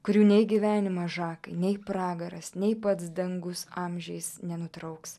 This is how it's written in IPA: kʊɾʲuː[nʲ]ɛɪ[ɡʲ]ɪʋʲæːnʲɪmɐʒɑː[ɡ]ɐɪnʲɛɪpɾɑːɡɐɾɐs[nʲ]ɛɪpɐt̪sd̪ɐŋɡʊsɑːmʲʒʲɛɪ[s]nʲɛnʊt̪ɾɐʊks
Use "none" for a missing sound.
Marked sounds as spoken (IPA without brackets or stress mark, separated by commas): nʲ, ɡʲ, k, nʲ, s